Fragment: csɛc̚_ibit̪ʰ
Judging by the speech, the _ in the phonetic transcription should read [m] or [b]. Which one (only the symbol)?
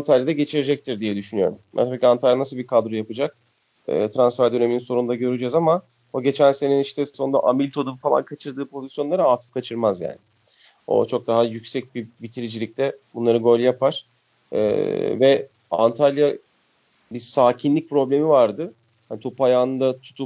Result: b